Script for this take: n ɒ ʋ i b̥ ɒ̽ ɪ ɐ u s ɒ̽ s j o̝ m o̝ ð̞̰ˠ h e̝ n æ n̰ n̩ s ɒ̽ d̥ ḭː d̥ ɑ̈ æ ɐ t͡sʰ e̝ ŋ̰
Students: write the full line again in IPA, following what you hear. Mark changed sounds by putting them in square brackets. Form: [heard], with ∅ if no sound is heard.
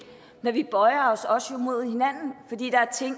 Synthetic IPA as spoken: n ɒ ʋ i b̥ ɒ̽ ɪ ɐ [ɒ] s ɒ̽ s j o̝ m o̝ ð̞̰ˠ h e̝ n æ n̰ n̩ [f] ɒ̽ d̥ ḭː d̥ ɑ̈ æ ɐ t͡sʰ e̝ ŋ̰